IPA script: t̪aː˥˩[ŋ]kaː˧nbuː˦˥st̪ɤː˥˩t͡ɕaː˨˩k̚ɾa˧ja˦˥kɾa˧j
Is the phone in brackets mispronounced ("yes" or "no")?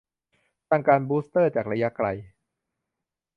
no